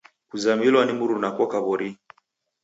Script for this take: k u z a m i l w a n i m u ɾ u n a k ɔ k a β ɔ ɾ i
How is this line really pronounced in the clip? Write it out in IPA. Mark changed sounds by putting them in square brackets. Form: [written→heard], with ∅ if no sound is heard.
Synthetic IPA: k u z a m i l w a n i m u ɾ u n a k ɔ k a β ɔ ɾ i